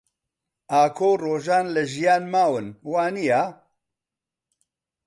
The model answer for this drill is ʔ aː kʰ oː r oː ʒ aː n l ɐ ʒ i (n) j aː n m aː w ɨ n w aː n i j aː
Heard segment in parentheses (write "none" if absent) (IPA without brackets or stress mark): none